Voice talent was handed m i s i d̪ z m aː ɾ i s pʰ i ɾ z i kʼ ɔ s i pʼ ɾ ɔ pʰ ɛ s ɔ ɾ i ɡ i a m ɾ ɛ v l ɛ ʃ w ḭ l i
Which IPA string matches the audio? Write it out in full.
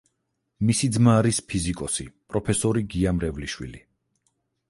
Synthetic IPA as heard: m i s i d̪ z m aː ɾ i s pʰ i z i kʼ ɔ s i pʼ ɾ ɔ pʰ ɛ s ɔ ɾ i ɡ i a m ɾ ɛ v l i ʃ w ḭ l i

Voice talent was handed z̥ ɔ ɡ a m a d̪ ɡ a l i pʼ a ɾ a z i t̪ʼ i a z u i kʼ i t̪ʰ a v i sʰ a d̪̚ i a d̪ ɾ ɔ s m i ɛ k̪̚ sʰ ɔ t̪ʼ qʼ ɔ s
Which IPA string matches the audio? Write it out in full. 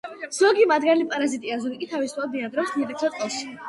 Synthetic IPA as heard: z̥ ɔ ɡ i m a d̪ ɡ a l i pʼ a ɾ a z i t̪ʼ i a z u i kʼ i t̪ʰ a v i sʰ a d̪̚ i a d̪ ɾ ɔ s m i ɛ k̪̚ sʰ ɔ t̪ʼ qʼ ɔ s

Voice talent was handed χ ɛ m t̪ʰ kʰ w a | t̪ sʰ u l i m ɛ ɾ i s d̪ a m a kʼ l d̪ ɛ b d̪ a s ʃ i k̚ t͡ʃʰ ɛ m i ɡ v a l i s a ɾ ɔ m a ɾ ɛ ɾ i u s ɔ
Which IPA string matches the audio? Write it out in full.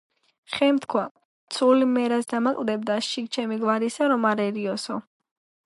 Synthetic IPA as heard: χ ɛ m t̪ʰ kʰ w a | t̪ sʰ u l i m ɛ ɾ a s d̪ a m a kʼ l d̪ ɛ b d̪ a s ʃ i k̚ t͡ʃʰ ɛ m i ɡ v a ɾ i s a ɾ ɔ m a ɾ ɛ ɾ i ɔ s ɔ

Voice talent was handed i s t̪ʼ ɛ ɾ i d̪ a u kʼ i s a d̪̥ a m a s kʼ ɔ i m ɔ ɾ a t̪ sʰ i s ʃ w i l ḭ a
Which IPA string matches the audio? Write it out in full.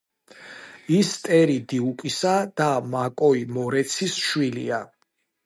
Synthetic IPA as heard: i s t̪ʼ ɛ ɾ i d̪ i u kʼ i s a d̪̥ a m a kʼ ɔ i m ɔ ɾ ɛ t̪ sʰ i s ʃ w i l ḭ a

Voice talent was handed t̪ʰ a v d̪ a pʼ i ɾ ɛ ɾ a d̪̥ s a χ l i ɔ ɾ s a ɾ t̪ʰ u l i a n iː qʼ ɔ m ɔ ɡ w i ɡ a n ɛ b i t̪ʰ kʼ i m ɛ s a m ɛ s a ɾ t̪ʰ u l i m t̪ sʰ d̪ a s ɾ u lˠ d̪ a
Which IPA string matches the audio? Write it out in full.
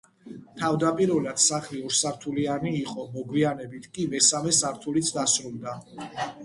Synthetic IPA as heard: t̪ʰ a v d̪ a pʼ i ɾ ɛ l a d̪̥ s a χ l i ɔ ɾ s a ɾ t̪ʰ u l i a n iː qʼ ɔ m ɔ ɡ w i a n ɛ b i t̪ʰ kʼ i m ɛ s a m ɛ s a ɾ t̪ʰ u l i t̪ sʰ d̪ a s ɾ u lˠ d̪ a

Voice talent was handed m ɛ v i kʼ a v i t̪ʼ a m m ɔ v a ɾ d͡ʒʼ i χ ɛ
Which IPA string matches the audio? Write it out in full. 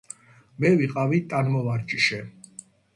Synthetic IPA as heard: m ɛ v i qʼ a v i t̪ʼ a n m ɔ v a ɾ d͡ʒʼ i ʃ ɛ

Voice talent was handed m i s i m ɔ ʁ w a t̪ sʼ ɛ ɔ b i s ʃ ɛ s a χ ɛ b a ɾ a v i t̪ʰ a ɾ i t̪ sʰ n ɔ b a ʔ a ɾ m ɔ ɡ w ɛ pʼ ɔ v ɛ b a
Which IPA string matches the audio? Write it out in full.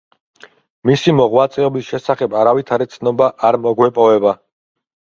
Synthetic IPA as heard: m i s i m ɔ ʁ w a t̪ sʼ ɛ ɔ b i s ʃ ɛ s a χ ɛ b a ɾ a v i t̪ʰ a ɾ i t̪ sʰ n ɔ b a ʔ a ɾ m ɔ ɡ w ɛ pʼ ɔ v ɛ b a

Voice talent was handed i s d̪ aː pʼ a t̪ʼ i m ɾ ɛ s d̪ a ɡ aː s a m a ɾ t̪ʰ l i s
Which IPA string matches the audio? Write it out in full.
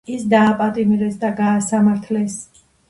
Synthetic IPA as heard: i s d̪ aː pʼ a t̪ʼ i m ɾ ɛ s d̪ a ɡ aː s a m a ɾ t̪ʰ l ɛ s

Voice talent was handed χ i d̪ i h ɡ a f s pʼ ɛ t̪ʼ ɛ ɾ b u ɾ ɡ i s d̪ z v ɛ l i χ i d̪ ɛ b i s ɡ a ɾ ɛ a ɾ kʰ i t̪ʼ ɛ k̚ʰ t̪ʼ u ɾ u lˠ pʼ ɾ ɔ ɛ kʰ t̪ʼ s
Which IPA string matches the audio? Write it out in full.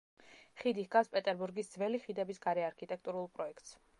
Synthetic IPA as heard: χ i d̪ i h ɡ a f s pʼ ɛ t̪ʼ ɛ ɾ b u ɾ ɡ i s d̪ z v ɛ l i χ i d̪ ɛ b i s ɡ a ɾ ɛ a ɾ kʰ i t̪ʼ ɛ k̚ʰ t̪ʼ u ɾ u lˠ pʼ ɾ ɔ ɛ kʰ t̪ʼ s

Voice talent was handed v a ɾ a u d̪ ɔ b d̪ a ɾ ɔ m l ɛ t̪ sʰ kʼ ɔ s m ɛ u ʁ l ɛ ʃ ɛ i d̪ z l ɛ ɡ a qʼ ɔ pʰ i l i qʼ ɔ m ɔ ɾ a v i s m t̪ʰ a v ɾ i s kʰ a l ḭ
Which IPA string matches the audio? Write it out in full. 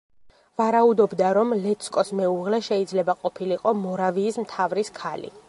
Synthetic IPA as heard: v a ɾ a u d̪ ɔ b d̪ a ɾ ɔ m l ɛ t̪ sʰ kʼ ɔ s m ɛ u ʁ l ɛ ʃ ɛ i d̪ z l ɛ b a qʼ ɔ pʰ i l i qʼ ɔ m ɔ ɾ a v iː s m t̪ʰ a v ɾ i s kʰ a l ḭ

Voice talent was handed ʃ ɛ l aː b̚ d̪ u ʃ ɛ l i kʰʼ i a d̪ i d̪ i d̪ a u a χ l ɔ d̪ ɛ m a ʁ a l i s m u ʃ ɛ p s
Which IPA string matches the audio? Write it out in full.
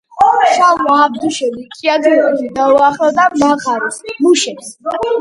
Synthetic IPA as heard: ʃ a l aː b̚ d̪ u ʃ ɛ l i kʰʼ i a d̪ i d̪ i d̪ a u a χ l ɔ d̪ a m a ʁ a ɾ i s m u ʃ ɛ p s

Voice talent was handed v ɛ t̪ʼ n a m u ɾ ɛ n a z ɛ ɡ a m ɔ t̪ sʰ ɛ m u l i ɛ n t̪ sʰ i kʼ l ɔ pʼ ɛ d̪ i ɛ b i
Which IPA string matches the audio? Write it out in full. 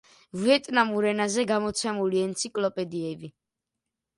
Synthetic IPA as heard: v ɛ t̪ʼ n a m u ɾ ɛ n a z ɛ ɡ a m ɔ t̪ sʰ ɛ m u l i ɛ n t̪ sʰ i kʼ l ɔ pʼ ɛ d̪ i ɛ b i

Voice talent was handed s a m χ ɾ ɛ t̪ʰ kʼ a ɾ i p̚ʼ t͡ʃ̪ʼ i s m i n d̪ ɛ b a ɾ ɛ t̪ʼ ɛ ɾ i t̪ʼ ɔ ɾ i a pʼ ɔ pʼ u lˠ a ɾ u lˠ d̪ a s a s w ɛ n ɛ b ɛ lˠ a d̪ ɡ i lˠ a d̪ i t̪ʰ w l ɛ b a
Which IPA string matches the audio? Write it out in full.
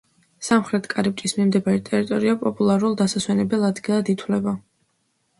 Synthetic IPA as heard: s a m χ ɾ ɛ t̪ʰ kʼ a ɾ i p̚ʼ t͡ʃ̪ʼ i s m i m d̪ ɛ b a ɾ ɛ t̪ʼ ɛ ɾ i t̪ʼ ɔ ɾ i a pʼ ɔ pʼ u lˠ a ɾ u lˠ d̪ a s a s w ɛ n ɛ b ɛ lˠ a d̪ ɡ i lˠ a d̪ i t̪ʰ w l ɛ b a

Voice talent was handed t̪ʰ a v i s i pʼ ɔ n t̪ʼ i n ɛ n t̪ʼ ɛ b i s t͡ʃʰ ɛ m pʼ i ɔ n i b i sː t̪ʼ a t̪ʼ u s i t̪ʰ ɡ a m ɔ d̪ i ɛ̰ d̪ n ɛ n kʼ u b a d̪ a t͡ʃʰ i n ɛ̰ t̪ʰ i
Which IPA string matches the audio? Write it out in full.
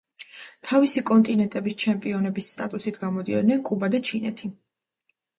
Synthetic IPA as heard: t̪ʰ a v i s i kʼ ɔ n t̪ʼ i n ɛ n t̪ʼ ɛ b i s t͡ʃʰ ɛ m pʼ i ɔ n ɛ b i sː t̪ʼ a t̪ʼ u s i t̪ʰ ɡ a m ɔ d̪ i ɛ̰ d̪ n ɛ n kʼ u b a d̪ a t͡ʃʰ i n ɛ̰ t̪ʰ i

